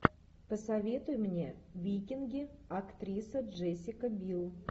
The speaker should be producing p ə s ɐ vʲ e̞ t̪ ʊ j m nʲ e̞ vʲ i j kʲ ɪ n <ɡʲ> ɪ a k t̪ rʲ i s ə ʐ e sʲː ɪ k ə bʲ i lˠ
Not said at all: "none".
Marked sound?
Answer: ɡʲ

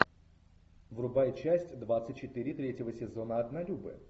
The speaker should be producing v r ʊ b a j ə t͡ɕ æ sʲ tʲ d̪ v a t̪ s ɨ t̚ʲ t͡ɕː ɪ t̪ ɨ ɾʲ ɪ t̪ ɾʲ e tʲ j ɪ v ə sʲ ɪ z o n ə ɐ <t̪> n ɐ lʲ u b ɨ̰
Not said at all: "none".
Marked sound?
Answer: d̪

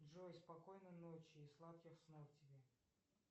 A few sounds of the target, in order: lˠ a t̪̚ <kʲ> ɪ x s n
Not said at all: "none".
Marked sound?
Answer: kʲ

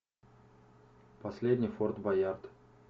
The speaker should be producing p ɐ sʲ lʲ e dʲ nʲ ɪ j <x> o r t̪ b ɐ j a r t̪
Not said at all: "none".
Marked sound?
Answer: f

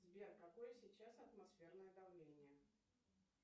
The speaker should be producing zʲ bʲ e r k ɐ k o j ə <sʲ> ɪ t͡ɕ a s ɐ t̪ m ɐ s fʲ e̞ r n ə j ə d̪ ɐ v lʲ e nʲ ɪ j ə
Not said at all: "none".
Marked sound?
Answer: sʲ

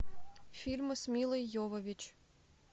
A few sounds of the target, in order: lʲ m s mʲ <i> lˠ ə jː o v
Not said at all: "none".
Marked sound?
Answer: i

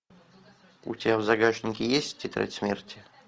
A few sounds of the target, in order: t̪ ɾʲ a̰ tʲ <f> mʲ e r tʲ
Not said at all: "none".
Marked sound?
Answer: s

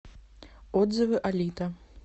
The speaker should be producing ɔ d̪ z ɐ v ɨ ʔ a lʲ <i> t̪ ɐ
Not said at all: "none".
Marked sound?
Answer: i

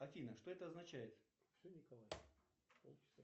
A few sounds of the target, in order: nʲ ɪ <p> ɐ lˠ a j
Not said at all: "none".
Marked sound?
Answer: k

